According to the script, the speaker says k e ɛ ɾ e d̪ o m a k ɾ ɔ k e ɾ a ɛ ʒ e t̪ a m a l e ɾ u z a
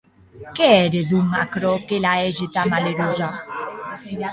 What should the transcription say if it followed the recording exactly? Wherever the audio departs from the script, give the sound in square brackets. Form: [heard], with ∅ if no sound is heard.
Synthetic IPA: k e ɛ ɾ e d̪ [u] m a k ɾ ɔ k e [l] a ɛ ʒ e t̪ a m a l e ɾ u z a